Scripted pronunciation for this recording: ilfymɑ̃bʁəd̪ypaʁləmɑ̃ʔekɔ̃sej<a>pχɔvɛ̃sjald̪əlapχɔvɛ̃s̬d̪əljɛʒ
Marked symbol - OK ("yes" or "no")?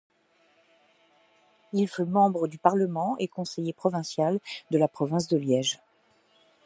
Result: no